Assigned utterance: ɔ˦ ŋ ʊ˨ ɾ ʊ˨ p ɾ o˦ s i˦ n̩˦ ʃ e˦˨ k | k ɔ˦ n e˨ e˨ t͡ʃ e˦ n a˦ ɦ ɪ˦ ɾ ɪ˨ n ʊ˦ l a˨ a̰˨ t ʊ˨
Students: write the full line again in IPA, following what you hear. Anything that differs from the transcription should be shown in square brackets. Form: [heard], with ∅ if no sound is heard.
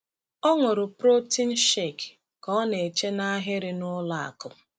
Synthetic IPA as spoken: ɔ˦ ŋ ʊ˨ ɾ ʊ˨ p ɾ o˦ [t] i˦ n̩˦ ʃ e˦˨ k | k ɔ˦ n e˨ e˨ t͡ʃ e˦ n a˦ ɦ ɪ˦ ɾ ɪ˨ n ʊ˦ l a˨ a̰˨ [k] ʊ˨